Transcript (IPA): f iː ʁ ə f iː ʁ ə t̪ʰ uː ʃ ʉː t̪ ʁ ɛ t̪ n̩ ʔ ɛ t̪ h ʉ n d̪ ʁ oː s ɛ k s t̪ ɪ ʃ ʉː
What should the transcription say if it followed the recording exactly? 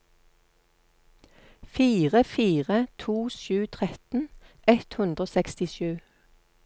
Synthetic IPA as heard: f iː ʁ ə f iː ʁ ə t̪ʰ uː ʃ ʉː t̪ʰ ʁ ɛ t̪ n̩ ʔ ɛ t̪ h ʉ n d̪ ʁ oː s ɛ k s t̪ ɪ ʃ ʉː